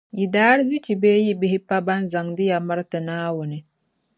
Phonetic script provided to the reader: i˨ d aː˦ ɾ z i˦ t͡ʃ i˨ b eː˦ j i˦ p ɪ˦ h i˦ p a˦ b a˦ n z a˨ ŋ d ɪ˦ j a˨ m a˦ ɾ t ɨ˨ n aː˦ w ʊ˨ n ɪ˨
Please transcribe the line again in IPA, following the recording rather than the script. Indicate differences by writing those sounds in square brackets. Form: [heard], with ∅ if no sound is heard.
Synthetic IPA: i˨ d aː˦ ɾ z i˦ t͡ʃ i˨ b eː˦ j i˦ [b] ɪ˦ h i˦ p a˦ b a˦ n z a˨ ŋ d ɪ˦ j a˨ m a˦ ɾ t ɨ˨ n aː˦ w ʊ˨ n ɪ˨